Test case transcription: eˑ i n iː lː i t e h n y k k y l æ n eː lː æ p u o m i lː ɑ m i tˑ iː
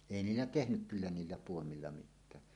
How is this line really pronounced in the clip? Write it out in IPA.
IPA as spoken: eˑ i n iː lː æ t e h n y k k y lː æ n iː lː æ p u o m i lː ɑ m i tˑ æː